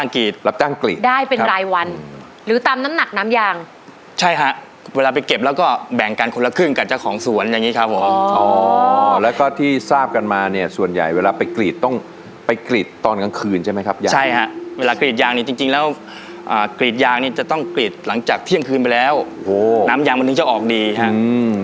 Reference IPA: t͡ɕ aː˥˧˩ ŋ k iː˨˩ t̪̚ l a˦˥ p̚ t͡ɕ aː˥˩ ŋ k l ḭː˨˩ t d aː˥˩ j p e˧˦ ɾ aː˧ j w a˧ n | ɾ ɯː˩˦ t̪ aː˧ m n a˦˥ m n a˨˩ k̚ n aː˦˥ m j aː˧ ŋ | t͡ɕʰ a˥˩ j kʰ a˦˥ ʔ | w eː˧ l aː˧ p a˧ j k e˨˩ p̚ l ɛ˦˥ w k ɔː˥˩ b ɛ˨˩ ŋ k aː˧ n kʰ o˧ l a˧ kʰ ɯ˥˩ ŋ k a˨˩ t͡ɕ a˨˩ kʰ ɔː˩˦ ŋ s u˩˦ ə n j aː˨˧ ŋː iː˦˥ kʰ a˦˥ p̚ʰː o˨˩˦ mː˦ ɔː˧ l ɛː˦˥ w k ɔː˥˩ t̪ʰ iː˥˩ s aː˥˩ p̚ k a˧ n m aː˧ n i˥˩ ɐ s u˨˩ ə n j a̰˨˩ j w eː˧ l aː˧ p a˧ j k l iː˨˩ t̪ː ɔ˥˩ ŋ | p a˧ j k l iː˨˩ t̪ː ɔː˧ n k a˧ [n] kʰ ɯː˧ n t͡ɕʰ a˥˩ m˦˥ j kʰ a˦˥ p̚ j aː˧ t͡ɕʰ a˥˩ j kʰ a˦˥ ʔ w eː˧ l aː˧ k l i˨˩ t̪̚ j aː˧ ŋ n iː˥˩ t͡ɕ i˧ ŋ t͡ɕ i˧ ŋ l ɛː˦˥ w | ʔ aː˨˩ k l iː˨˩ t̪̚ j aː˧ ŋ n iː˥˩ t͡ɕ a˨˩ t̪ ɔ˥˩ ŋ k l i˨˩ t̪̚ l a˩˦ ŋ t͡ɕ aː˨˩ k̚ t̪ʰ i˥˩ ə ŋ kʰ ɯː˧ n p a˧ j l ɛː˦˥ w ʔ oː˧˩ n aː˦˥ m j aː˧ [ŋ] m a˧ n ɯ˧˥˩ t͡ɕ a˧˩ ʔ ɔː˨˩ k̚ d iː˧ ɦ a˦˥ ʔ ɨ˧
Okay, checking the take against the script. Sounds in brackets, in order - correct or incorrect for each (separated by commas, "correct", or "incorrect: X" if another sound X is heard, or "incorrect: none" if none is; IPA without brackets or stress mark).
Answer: incorrect: ŋ, correct